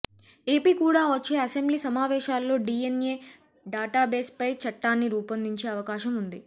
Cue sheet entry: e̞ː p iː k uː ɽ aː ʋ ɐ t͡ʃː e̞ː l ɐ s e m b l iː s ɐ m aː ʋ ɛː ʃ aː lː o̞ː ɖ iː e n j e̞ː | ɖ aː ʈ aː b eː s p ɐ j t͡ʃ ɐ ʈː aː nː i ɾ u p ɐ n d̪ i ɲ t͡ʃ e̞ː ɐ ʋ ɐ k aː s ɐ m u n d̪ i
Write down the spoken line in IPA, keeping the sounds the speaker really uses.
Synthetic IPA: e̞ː p iː k uː ɽ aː ʋ ɐ t͡ʃː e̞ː ɐ s e m b l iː s ɐ m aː ʋ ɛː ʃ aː lː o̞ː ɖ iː e n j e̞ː | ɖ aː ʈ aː b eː s p ɐ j t͡ʃ ɐ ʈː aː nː i ɾ uː p ɐ n d̪ i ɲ t͡ʃ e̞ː ɐ ʋ ɐ k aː ʃ ɐ m u n d̪ i